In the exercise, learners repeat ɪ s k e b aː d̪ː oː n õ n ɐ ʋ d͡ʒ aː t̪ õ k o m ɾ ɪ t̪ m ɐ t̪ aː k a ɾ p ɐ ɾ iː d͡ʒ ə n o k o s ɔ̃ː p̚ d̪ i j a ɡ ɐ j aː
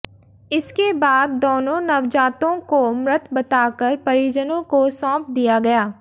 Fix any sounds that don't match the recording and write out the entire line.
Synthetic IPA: ɪ s k e b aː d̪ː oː n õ n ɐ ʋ d͡ʒ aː t̪ õ k o m ɾ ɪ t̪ b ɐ t̪ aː k ə ɾ p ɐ ɾ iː d͡ʒ ə n õ k o s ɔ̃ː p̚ d̪ i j a ɡ ɐ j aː